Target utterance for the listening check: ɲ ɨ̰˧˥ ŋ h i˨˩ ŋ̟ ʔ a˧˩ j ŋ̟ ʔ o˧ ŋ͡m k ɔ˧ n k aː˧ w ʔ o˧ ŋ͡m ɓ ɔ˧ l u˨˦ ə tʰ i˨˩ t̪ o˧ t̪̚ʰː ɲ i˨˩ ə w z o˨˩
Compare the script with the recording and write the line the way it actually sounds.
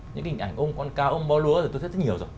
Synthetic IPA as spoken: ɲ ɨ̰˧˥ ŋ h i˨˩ ŋ̟ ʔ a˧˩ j ŋ̟ ʔ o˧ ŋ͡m k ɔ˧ n k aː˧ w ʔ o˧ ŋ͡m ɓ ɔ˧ l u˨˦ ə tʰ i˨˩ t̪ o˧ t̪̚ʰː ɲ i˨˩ ə w z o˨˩

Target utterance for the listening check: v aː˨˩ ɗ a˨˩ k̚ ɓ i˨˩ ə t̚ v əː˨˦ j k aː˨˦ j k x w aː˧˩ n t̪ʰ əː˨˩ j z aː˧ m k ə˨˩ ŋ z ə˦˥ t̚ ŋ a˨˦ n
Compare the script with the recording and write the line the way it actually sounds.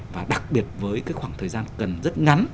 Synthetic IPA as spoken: v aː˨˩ ɗ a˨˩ k̚ ɓ i˨˩ ə t̚ v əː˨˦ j k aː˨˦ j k x w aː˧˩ ŋ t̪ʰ əː˨˩ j z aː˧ n k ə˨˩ n z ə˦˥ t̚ ŋ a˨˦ n

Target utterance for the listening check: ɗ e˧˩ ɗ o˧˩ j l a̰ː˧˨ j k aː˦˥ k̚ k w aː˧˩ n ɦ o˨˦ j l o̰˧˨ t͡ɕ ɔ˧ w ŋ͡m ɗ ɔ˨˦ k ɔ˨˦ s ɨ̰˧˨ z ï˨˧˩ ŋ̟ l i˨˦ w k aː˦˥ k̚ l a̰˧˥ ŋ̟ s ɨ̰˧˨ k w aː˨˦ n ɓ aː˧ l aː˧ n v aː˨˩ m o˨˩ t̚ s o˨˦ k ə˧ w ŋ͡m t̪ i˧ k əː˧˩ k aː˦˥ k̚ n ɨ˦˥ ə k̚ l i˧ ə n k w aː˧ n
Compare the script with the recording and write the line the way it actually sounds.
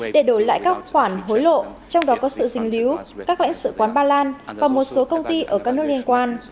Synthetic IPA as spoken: ɗ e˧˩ ɗ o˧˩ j l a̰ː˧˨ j k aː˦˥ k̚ x w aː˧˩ n ɦ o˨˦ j l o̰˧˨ t͡ɕ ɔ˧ w ŋ͡m ɗ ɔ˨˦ k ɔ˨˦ s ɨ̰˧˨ z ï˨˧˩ ŋ̟ l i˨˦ w k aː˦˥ k̚ l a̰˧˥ ŋ̟ s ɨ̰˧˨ k w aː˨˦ n ɓ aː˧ l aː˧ n v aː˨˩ m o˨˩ t̚ s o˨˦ k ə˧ w ŋ͡m t̪ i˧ ʔ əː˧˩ k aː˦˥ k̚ n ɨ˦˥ ə k̚ l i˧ ə n k w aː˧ n

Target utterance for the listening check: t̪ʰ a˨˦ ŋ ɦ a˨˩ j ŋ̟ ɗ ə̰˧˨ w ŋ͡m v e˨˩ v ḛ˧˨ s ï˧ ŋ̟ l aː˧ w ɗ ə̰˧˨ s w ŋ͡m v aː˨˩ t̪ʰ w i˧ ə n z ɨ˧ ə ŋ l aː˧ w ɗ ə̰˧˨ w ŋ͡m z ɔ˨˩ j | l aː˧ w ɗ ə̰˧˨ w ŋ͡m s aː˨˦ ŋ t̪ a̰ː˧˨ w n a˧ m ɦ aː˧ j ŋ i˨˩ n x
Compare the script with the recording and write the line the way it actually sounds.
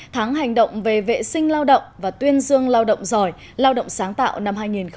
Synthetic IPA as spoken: t̪ʰ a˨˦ ŋ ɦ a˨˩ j ŋ̟ ɗ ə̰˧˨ w ŋ͡m v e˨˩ v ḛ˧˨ s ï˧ ŋ̟ l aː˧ w ɗ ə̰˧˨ w ŋ͡m v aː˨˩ t̪ w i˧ ə n z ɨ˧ ə ŋ l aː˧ w ɗ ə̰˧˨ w ŋ͡m z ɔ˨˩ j | l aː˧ w ɗ ə̰˧˨ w ŋ͡m s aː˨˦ ŋ t̪ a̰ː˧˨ w n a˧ m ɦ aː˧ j ŋ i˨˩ n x

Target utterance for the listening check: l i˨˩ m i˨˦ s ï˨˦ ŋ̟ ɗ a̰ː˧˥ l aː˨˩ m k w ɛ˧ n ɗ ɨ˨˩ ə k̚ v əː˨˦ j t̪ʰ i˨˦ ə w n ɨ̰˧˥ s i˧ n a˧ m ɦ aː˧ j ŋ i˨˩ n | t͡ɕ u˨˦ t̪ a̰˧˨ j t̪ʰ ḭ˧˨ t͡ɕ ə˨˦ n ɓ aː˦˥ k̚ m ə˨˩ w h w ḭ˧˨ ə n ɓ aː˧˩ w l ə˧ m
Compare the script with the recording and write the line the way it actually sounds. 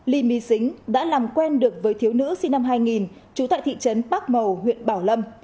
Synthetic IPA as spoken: l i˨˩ m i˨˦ s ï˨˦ ŋ̟ ɗ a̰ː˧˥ l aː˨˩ m k w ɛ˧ n ɗ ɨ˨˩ ə k̚ v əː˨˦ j t̪ʰ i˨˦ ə w n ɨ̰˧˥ s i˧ n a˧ m ɦ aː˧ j ŋ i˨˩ n | t͡ɕ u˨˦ t̪ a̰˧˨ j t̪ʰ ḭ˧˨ t͡ɕ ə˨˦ n ɓ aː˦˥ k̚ m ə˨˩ w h w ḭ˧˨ ə n ɓ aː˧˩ w l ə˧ m

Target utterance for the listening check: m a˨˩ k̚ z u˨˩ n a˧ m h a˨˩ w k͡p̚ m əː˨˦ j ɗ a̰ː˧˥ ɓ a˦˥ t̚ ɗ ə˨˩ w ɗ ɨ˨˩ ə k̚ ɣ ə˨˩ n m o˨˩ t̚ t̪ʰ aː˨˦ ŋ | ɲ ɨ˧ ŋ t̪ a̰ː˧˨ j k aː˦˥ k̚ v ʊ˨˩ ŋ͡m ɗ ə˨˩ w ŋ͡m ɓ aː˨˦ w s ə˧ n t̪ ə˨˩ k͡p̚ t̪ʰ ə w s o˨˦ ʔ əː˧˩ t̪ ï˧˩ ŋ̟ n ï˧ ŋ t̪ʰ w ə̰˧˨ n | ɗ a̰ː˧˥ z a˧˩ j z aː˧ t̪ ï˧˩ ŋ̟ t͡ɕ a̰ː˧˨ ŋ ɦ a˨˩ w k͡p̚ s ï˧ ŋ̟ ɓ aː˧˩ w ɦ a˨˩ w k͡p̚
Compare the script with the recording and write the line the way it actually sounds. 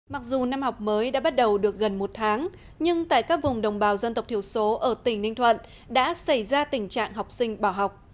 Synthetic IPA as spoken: m a˨˩ k̚ z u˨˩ n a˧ m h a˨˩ w k͡p̚ m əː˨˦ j ɗ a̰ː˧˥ ɓ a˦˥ t̚ ɗ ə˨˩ w ɗ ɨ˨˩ ə k̚ ɣ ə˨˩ n m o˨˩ t̚ t̪ʰ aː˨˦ ŋ | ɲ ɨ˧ ŋ t̪ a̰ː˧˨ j k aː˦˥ k̚ v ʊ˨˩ ŋ͡m ɗ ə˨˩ w ŋ͡m ɓ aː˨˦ w z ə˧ n t̪ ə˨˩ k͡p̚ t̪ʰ ə w s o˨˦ ʔ əː˧˩ t̪ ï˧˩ ŋ̟ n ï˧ ŋ t̪ʰ w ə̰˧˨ n | ɗ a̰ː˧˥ s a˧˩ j z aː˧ t̪ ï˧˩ ŋ̟ t͡ɕ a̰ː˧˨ ŋ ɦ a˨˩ w k͡p̚ s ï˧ ŋ̟ ɓ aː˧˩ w ɦ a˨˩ w k͡p̚

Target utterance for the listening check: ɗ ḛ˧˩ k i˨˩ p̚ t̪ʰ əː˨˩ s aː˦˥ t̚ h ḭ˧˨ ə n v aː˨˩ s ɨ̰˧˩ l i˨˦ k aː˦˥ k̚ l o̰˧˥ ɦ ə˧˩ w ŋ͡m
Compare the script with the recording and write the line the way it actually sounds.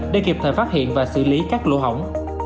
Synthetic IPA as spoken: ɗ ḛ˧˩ k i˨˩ p̚ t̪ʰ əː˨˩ f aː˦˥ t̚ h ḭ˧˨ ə n v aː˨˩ s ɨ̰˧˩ l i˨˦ k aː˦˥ k̚ l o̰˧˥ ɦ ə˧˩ w ŋ͡m

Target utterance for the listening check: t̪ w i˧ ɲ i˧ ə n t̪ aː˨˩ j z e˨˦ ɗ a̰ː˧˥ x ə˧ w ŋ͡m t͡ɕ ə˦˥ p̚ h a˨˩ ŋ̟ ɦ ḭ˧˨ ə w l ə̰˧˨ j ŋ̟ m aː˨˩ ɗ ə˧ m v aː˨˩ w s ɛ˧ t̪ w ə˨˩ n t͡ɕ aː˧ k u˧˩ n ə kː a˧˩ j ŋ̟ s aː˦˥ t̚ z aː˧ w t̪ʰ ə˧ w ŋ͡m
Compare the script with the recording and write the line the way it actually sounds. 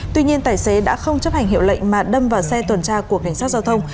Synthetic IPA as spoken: t̪ w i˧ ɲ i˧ ə n t̪ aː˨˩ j s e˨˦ ɗ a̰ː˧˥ x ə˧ w ŋ͡m t͡ɕ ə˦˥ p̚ h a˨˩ ŋ̟ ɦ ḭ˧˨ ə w l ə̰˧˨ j ŋ̟ m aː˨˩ ɗ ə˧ m v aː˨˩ w s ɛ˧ t̪ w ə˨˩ n t͡ɕ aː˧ k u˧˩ ə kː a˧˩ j ŋ̟ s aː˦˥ t̚ z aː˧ w t̪ʰ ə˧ w ŋ͡m

